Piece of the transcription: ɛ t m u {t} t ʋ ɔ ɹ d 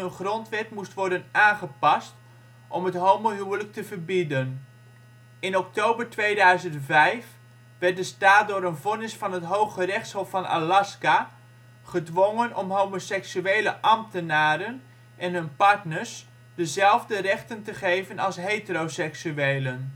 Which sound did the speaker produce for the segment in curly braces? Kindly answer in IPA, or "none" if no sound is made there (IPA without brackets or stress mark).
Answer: s